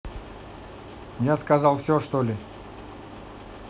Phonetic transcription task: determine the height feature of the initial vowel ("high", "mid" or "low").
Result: low